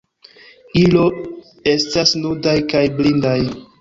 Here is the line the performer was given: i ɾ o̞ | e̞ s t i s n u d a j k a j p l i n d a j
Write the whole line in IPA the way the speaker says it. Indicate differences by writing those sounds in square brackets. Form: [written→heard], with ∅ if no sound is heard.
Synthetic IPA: i [ɾ→l] o̞ | e̞ s t [i→a] s n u d a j k a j [p→b] l i n d a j